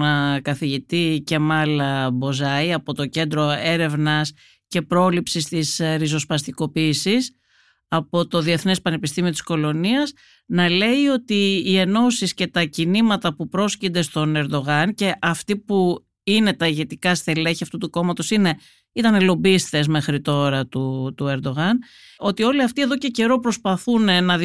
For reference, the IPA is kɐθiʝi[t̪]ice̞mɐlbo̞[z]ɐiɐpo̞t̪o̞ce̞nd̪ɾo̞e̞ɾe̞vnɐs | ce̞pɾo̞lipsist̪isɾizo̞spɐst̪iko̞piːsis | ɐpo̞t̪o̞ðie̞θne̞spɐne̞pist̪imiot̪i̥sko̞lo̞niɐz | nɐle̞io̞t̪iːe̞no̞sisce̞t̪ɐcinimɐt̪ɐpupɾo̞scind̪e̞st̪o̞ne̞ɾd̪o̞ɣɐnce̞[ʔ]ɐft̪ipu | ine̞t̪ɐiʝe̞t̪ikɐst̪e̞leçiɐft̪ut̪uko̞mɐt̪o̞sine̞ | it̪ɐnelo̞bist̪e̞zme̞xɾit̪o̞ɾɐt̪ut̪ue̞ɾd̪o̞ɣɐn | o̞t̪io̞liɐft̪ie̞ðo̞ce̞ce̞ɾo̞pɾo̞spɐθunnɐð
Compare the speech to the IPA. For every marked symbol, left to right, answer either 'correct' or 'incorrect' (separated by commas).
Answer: correct, correct, correct